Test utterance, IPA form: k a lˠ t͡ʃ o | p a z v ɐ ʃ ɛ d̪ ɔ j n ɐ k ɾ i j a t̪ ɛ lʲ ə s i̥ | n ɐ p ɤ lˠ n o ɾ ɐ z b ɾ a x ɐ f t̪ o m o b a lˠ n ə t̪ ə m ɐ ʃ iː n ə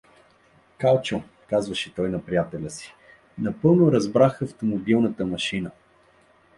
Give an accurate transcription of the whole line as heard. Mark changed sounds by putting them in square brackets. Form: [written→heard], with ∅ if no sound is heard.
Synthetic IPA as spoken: k a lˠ t͡ʃ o | [p→k] a z v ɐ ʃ ɛ [d̪→t̪] ɔ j n ɐ [k→p] ɾ i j a t̪ ɛ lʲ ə s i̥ | n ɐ p ɤ lˠ n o ɾ ɐ z b ɾ a x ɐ f t̪ o m o b [a→i] lˠ n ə t̪ ə m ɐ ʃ [iː→i] n ə